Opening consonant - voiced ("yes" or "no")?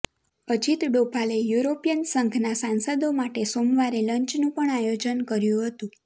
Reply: yes